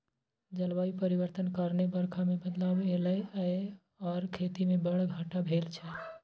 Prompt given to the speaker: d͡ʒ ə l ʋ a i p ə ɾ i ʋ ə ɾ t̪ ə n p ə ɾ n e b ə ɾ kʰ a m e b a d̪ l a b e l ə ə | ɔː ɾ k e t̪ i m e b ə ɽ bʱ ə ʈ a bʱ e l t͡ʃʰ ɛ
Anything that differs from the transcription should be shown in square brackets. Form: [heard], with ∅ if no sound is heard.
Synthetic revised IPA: d͡ʒ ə l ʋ a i p ə ɾ i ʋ ə ɾ t̪ ə n [k] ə ɾ n e b ə ɾ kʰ a m e b [ə] d̪ l a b e l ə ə | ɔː ɾ [kʰ] e t̪ i m e b ə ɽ [ɡʱ] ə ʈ a bʱ e l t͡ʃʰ ɛ